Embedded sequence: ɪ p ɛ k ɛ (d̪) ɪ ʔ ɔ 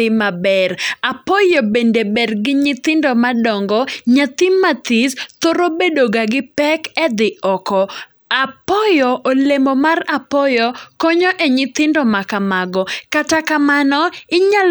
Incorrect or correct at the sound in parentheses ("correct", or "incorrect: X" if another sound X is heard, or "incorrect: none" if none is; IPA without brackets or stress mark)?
correct